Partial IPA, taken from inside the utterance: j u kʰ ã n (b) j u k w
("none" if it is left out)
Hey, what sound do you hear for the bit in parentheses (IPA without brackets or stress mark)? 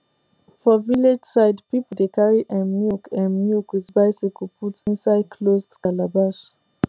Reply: m